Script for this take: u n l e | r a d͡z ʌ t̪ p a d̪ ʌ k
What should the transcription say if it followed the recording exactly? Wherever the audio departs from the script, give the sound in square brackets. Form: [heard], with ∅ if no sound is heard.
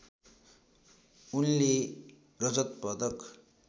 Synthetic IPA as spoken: u n l e | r [ʌ] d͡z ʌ t̪ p [ʌ] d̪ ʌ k